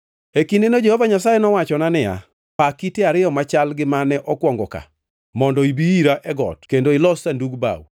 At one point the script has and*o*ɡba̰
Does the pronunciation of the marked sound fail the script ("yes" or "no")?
yes